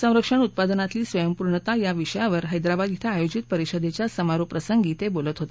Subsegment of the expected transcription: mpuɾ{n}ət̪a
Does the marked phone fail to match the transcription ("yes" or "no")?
yes